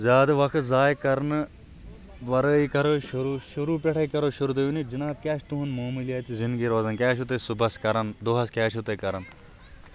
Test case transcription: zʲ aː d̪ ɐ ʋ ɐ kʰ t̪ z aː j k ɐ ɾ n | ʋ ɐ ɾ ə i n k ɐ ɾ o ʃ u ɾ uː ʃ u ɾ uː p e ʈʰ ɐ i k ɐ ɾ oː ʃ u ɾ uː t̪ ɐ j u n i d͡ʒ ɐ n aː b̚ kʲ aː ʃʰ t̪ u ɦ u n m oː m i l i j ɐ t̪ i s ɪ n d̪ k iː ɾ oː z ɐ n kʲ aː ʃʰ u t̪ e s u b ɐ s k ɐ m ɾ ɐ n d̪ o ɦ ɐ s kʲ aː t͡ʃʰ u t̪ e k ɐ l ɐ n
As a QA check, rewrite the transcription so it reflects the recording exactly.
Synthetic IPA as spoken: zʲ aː d̪ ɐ ʋ ɐ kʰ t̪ z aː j k ɐ ɾ n | ʋ ɐ ɾ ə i k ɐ ɾ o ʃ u ɾ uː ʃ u ɾ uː p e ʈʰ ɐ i k ɐ ɾ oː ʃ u ɾ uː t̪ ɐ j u n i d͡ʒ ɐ n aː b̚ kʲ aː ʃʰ t̪ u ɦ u n m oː m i l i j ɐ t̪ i z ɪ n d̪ ɡ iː ɾ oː z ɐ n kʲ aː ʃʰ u t̪ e s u b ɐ s k ɐ ɾ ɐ n d̪ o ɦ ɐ s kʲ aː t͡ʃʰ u t̪ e k ɐ ɾ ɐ n